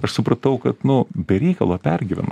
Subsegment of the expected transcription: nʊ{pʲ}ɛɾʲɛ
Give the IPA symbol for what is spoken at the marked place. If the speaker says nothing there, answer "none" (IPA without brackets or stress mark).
bʲ